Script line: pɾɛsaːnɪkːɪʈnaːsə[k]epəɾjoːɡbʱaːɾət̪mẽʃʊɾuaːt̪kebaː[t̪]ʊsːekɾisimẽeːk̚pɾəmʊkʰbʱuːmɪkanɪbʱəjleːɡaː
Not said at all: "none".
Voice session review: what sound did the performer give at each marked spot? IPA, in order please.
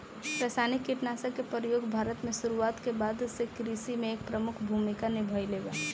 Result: k, d̪

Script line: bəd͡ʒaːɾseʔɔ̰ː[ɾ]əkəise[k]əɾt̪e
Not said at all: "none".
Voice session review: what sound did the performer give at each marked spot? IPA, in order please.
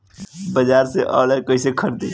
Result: l, kʰ

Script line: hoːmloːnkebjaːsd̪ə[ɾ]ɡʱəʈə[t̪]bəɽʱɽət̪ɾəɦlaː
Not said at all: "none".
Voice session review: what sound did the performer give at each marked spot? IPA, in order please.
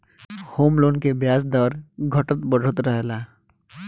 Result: ɾ, t̪

